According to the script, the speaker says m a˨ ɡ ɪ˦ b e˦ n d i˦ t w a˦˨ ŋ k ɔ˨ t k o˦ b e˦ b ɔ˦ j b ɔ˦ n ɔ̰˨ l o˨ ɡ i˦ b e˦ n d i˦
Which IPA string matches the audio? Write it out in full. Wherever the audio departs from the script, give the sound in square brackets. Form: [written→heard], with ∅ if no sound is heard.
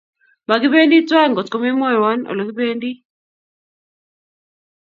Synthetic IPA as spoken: m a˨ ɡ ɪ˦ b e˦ n d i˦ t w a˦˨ ŋ [k→ɡ] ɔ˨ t k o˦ [b→m] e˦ [b→m] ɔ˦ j [b→w] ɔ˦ n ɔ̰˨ l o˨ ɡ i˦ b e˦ n d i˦

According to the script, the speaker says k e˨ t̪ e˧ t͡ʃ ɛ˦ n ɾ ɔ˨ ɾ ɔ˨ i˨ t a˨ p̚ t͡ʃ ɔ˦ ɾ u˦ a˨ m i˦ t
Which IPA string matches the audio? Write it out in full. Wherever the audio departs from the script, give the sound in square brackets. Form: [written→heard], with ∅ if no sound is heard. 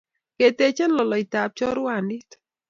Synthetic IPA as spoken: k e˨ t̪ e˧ t͡ʃ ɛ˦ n [ɾ→l] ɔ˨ [ɾ→l] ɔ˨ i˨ t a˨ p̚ t͡ʃ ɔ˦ ɾ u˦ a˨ [m→n] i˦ t

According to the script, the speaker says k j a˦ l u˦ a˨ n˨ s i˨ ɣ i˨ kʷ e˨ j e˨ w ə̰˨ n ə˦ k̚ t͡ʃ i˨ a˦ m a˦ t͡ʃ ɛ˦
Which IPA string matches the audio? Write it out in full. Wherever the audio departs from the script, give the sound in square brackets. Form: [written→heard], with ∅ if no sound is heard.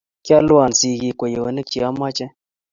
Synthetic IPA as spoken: k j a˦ l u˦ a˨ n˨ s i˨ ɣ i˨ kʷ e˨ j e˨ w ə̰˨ n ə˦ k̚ t͡ʃ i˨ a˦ m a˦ t͡ʃ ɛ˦

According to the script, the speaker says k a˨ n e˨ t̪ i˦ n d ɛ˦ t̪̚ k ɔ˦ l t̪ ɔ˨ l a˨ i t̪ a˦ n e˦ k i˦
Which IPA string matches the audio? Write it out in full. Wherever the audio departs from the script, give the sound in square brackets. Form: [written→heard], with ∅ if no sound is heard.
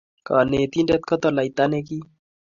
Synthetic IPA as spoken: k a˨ n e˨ t̪ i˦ n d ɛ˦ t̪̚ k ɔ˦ [l→∅] t̪ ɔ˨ l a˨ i t̪ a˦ n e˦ k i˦

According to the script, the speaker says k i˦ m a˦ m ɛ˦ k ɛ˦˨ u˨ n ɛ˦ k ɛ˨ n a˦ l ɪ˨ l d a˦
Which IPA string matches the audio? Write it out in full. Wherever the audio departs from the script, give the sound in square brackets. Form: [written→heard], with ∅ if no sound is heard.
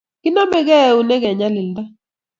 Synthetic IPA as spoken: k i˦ [m→n] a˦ m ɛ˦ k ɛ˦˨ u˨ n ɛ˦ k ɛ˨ [n→ɲ] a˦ l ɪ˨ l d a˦

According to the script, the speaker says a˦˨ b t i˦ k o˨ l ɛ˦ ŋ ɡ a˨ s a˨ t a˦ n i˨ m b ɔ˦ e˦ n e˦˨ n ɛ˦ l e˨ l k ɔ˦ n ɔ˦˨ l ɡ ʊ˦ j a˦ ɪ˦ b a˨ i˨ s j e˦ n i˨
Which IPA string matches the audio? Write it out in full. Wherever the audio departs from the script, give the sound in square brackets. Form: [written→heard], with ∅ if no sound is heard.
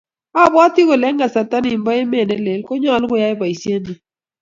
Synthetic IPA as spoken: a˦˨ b t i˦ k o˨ l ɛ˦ ŋ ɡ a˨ s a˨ t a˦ n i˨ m b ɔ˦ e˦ [n→m] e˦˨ n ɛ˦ l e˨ l k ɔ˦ [n→ɲ] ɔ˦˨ l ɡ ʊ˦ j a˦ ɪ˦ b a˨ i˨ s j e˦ n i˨

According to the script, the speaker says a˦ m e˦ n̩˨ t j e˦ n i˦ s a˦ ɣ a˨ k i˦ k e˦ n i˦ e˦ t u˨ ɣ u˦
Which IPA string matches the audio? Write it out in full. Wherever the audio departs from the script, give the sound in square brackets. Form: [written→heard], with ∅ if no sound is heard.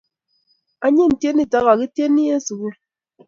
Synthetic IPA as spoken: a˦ [m→ɲ] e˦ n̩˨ t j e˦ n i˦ [s→t] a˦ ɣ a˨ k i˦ [k→t] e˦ n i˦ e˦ [t→s] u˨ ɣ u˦

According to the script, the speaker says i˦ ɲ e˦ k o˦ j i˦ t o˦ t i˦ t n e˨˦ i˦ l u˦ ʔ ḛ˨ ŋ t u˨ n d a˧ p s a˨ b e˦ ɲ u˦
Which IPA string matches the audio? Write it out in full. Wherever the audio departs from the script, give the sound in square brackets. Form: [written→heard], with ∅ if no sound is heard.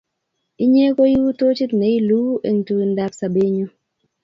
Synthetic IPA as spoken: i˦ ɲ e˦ k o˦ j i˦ t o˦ [t→t͡ʃ] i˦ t n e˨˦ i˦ l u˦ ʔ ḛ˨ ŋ t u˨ n d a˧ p s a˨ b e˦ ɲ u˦

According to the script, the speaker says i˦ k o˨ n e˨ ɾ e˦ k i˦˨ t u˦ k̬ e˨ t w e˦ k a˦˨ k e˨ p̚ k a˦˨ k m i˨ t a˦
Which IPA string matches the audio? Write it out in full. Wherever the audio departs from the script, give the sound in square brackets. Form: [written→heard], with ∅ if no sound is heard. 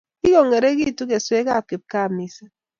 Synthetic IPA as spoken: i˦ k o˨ [n→ŋ] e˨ ɾ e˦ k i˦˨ t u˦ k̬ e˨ [t→s] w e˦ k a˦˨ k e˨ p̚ k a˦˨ [k→∅] m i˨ [t→s] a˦

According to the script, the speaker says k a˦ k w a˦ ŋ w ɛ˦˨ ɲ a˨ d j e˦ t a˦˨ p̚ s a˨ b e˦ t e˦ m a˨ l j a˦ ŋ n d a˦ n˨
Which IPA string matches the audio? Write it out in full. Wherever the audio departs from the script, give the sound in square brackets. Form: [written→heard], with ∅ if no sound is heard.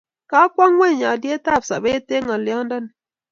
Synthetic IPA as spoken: k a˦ k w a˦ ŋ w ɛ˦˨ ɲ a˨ d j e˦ t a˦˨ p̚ s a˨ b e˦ t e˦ [m→ŋ] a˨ l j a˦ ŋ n d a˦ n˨

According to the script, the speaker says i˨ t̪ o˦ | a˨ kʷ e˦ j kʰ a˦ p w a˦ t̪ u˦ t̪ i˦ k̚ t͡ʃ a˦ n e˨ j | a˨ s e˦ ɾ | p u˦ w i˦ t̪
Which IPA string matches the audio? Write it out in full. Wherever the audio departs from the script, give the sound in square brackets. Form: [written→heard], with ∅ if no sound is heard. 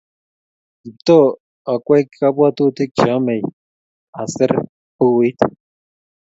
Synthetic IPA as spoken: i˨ t̪ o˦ | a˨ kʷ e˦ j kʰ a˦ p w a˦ t̪ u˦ t̪ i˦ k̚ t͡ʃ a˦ [n→m] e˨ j | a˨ s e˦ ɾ | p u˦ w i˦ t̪

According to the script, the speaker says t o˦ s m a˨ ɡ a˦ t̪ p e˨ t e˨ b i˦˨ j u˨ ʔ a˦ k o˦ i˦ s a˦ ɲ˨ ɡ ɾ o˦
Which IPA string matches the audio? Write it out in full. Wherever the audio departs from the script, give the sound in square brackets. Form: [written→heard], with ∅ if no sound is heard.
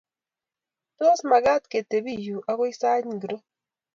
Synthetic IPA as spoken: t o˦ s m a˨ ɡ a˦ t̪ [p→k] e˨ t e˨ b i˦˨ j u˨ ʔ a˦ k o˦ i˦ s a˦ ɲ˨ ɡ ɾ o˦

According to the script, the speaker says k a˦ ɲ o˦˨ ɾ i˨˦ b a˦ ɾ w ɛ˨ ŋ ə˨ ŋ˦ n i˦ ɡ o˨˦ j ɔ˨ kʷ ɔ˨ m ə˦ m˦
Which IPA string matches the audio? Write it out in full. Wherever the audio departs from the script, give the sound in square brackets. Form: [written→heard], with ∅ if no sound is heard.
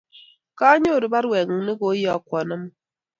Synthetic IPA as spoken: k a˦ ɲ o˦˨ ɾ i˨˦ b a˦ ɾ w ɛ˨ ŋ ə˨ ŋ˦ n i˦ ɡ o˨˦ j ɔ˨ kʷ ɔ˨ [m→n] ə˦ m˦

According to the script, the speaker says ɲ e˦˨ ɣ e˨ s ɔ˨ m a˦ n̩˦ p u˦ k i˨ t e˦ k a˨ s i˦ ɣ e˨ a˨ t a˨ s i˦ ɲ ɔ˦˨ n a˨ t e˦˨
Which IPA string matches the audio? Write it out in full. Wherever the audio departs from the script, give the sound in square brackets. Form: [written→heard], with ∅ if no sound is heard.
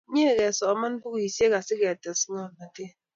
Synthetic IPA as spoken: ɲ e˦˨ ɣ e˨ s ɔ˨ m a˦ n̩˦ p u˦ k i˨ [t→s] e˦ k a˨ s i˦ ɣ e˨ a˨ t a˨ s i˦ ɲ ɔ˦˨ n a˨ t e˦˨

